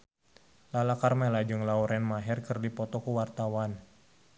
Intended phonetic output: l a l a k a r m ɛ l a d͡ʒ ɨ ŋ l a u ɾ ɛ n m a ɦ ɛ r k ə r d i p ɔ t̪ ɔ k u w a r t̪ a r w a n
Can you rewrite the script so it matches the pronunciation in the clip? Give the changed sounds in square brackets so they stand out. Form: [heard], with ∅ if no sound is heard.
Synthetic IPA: l a l a k a r m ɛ l a d͡ʒ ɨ ŋ l a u ɾ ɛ n m a ɦ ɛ r k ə r d i p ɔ t̪ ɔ k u w a r t̪ a [∅] w a n